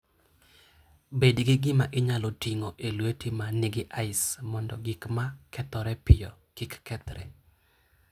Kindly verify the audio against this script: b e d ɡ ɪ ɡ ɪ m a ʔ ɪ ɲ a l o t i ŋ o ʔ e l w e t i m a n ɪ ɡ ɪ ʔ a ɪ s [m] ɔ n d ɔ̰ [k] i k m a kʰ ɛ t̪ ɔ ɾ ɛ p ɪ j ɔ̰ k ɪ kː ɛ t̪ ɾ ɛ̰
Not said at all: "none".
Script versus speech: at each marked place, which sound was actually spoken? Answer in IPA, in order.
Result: m, ɡ

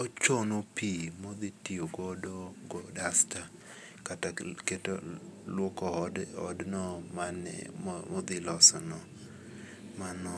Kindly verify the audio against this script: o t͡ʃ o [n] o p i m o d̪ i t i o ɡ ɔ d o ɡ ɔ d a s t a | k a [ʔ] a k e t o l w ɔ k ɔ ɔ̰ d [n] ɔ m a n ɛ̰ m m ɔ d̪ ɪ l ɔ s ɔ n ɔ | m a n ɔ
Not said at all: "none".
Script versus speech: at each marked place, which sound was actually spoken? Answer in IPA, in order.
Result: n, t, n

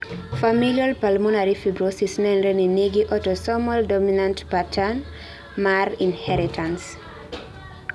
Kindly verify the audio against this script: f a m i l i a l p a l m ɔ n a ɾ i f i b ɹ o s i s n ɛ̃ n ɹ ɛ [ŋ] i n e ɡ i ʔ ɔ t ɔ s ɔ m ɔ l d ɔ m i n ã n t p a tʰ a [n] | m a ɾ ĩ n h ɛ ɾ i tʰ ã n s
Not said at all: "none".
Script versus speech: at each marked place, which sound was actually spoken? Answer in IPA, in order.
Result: n, n

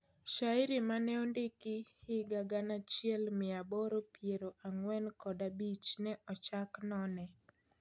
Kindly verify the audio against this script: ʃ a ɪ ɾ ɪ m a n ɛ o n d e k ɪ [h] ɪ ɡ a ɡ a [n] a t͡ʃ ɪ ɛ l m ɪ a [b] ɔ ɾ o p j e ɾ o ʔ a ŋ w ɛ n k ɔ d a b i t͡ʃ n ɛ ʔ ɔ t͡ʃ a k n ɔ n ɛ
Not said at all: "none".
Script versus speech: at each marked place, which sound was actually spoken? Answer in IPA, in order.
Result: h, n, b

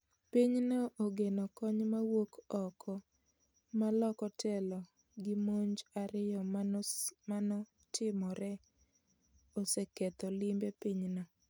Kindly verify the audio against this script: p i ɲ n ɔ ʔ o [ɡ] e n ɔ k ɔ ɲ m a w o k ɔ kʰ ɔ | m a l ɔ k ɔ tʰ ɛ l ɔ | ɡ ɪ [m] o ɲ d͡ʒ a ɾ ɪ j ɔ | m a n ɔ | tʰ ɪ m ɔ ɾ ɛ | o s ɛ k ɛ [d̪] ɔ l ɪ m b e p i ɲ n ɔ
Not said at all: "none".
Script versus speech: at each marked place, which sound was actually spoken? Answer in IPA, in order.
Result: ɡ, m, t̪

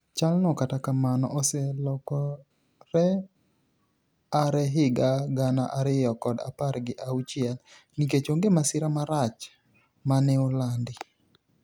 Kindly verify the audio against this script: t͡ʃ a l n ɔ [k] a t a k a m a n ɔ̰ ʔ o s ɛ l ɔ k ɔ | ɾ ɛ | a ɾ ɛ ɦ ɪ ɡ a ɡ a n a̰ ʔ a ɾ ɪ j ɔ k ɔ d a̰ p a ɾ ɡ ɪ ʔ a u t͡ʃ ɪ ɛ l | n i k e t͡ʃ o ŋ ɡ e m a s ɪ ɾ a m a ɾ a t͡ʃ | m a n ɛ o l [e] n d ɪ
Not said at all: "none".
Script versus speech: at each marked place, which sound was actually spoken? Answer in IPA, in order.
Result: k, a

